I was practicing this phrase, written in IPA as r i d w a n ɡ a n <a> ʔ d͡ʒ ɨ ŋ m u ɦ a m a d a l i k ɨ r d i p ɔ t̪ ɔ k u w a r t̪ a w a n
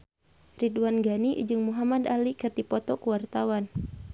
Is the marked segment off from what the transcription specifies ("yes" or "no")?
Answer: yes